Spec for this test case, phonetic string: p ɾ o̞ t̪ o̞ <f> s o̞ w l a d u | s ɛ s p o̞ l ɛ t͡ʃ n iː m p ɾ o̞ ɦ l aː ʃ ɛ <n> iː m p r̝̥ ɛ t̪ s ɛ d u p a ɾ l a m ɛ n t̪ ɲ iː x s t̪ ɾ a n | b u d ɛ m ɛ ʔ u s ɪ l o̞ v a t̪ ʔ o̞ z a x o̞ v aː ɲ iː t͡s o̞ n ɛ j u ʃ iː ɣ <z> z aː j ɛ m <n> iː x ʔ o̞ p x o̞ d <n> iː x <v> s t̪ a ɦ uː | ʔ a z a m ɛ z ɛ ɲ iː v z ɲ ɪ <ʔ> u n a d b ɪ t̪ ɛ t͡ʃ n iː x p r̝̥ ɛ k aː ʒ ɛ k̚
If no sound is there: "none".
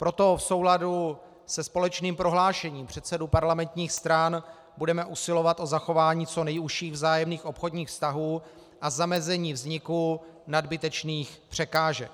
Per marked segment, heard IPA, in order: f, ɲ, v, n, ɲ, f, k

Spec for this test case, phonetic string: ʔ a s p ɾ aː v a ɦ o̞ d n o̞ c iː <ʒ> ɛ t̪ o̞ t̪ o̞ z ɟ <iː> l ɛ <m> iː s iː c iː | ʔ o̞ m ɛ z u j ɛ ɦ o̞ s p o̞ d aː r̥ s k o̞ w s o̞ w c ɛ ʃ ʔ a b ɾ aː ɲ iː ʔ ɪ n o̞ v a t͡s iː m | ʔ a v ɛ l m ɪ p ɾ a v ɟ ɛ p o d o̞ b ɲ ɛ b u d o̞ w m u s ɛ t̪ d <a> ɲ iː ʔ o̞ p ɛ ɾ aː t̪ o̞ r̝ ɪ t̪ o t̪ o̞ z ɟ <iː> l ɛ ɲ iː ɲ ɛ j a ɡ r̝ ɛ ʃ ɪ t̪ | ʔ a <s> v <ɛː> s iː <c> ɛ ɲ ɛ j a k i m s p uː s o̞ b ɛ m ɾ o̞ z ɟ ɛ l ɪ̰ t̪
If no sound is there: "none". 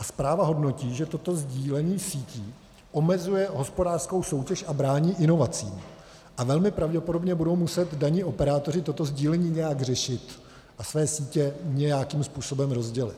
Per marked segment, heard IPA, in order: ʒ, iː, ɲ, a, iː, s, ɛː, c

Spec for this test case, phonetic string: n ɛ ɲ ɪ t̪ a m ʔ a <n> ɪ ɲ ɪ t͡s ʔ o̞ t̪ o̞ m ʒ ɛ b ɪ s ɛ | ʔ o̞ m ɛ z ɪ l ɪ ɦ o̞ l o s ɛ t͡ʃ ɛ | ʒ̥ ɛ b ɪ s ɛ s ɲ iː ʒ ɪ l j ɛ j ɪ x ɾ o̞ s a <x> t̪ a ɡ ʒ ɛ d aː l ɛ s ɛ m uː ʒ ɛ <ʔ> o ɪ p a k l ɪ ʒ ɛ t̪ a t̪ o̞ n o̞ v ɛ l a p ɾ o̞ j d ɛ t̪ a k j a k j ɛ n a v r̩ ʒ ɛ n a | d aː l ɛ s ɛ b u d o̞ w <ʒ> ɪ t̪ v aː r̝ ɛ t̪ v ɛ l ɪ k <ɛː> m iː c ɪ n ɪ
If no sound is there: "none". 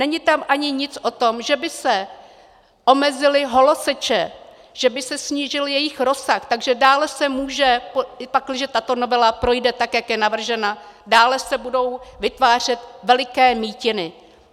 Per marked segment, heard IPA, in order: ɲ, x, p, v, ɛː

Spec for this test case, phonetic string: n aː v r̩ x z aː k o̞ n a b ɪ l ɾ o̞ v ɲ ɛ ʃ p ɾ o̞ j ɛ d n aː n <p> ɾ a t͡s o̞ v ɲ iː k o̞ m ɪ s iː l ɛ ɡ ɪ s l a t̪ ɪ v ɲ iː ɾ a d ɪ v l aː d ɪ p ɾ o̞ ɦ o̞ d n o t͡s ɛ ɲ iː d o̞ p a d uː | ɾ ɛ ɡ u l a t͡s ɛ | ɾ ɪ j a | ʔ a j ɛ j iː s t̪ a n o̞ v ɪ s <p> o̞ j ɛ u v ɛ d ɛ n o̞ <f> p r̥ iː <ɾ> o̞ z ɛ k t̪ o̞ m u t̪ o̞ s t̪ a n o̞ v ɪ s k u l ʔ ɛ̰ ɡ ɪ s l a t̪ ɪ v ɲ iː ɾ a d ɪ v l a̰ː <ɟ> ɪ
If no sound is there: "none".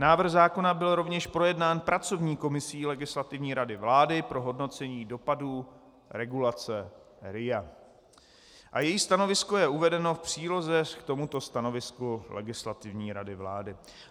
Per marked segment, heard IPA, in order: p, k, f, l, d

